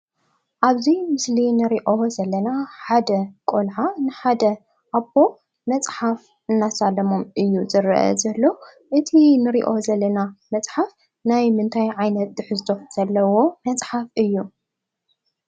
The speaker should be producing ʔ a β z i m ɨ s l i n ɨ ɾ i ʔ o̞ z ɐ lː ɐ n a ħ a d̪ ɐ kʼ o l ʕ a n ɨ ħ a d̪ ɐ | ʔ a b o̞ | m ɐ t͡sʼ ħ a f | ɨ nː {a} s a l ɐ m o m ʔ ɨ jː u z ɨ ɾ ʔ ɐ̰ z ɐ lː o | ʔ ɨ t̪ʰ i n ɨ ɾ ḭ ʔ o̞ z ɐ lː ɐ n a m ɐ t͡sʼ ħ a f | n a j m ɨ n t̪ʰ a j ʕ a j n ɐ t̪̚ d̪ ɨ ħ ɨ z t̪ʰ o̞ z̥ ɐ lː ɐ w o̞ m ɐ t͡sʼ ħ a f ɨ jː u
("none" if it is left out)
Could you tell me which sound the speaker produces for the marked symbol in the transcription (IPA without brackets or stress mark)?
a